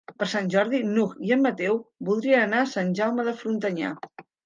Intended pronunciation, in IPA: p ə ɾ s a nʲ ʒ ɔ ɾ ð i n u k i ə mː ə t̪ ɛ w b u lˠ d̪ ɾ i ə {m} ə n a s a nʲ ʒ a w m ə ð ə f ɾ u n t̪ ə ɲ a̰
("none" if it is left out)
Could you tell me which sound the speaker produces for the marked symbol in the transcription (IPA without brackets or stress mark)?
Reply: n